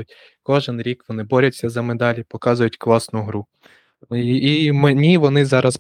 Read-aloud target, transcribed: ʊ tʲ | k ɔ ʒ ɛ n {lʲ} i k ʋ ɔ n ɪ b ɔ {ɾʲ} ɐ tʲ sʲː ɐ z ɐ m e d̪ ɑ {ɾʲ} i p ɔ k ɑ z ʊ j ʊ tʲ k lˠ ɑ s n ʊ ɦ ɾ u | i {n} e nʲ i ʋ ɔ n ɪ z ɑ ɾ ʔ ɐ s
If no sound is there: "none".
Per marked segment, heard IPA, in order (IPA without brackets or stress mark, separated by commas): ɾʲ, ɾʲ, lʲ, m